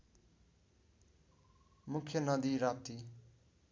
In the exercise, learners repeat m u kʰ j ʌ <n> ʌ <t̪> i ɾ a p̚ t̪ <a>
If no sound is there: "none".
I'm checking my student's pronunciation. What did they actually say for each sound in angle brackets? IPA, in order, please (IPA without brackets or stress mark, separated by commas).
n, d̪, i